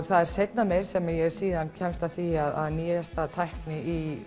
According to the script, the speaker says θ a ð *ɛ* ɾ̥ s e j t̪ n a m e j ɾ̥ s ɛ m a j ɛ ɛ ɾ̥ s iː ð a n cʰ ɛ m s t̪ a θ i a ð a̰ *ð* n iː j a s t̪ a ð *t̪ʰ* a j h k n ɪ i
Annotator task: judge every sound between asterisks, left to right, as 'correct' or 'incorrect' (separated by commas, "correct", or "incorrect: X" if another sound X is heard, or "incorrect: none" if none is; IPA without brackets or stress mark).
correct, correct, correct